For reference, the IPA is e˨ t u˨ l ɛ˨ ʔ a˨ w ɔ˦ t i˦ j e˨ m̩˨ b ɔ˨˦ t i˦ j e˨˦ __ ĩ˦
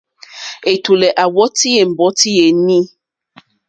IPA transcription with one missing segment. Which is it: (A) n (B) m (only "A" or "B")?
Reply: A